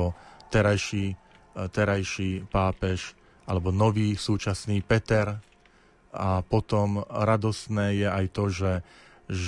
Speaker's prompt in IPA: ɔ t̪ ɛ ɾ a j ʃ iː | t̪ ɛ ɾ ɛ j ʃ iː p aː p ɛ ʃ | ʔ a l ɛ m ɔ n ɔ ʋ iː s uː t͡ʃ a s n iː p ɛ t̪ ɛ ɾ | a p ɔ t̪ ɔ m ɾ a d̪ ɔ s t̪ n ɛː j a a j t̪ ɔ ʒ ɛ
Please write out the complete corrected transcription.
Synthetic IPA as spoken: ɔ t̪ ɛ ɾ a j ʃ iː | t̪ ɛ ɾ a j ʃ iː p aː p ɛ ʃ | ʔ a l ɛ b ɔ n ɔ ʋ iː s uː t͡ʃ a s n iː p ɛ t̪ ɛ ɾ | a p ɔ t̪ ɔ m ɾ a d̪ ɔ s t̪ n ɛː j ɛ a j t̪ ɔ ʒ ɛ